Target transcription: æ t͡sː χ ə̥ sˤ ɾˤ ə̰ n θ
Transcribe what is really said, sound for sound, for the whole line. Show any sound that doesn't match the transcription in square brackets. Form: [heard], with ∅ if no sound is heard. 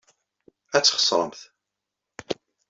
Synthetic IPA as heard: æ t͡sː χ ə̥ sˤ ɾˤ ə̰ [m] θ